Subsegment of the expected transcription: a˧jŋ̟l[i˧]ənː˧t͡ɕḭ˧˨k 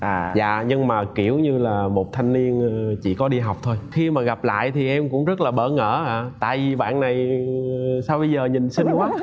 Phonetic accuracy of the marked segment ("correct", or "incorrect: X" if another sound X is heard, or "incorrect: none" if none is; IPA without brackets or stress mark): correct